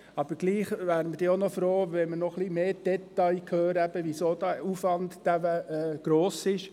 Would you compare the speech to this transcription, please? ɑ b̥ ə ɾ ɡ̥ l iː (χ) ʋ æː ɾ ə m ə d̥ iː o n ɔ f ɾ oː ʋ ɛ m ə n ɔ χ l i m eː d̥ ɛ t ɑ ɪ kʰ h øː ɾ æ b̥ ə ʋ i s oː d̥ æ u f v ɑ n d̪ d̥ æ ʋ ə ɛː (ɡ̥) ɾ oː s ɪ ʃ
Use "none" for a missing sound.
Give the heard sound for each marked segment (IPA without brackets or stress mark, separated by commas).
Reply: χ, ɡ̥